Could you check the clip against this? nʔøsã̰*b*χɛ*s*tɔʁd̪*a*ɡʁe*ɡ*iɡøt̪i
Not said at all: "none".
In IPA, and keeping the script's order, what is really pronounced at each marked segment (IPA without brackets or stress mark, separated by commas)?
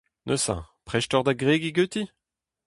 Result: p, ʃ, a, ɡ